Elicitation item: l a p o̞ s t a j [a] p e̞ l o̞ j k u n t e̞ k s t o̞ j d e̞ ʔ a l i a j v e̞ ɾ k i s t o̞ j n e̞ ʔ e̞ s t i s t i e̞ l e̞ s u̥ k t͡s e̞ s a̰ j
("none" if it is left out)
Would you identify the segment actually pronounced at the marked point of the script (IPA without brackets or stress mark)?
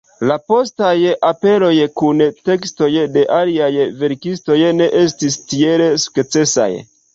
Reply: a